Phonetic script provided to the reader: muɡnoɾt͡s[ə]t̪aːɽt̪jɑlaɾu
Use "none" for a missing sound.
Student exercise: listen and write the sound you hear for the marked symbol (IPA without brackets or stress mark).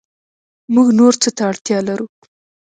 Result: ə